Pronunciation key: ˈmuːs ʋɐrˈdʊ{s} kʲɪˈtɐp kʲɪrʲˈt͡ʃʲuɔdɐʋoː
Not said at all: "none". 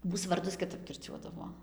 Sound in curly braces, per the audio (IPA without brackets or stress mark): s